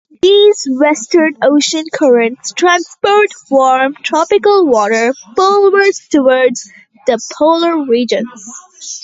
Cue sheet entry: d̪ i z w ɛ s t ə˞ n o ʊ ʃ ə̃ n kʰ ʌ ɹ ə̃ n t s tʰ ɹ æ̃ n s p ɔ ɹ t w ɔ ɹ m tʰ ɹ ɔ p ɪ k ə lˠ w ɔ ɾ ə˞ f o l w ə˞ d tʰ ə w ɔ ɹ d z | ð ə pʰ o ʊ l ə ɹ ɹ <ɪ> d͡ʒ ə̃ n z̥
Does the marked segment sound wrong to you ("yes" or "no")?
yes